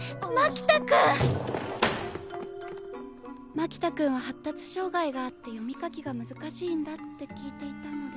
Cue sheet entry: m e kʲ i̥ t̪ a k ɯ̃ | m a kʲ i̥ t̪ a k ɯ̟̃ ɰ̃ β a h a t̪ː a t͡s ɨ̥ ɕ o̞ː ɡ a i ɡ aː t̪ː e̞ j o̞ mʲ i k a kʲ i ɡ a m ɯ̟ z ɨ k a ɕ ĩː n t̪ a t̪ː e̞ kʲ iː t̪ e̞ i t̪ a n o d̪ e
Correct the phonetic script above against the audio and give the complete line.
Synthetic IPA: m a kʲ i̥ t̪ a k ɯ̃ | m a kʲ i̥ t̪ a k ɯ̟̃ ɰ̃ β a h a t̪ː a t͡s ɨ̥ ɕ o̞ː ɡ a i ɡ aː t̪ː e̞ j o̞ mʲ i k a kʲ i ɡ a m ɯ̟ z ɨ k a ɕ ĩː n d̪ a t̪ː e̞ kʲ iː t̪ e̞ i t̪ a n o d̪ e